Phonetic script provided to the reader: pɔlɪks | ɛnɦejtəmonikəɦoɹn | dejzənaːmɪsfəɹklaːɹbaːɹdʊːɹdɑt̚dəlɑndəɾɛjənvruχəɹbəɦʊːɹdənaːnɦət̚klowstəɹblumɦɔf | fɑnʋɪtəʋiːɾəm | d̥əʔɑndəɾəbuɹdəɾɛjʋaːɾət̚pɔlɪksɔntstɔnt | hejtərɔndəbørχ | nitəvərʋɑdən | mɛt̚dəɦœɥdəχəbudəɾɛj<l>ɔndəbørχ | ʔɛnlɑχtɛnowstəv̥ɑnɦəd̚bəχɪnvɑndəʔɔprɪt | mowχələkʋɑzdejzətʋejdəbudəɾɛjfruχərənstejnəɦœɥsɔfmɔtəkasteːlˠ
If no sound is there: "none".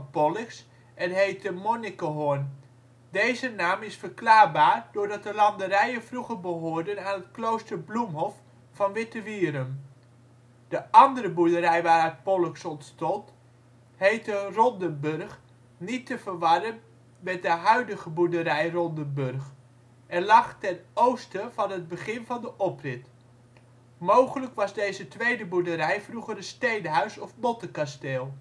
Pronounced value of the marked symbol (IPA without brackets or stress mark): r